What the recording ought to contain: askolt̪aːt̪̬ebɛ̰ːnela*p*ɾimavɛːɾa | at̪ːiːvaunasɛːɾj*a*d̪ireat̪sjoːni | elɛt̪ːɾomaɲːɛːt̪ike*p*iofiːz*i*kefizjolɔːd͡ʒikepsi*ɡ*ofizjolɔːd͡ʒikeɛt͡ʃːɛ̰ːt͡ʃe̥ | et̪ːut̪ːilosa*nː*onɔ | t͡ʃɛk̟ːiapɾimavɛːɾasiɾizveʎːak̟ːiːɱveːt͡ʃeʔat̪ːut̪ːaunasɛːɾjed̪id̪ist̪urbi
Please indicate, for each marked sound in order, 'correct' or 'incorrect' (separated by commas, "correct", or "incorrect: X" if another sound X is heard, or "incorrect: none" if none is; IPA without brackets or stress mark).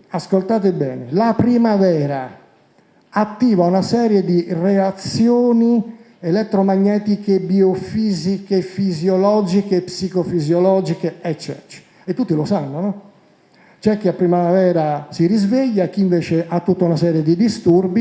correct, incorrect: e, incorrect: b, correct, incorrect: k, correct